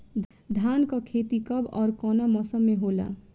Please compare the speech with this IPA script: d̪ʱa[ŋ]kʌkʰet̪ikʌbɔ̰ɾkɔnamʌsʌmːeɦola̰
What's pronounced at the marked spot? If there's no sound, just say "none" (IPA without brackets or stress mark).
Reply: n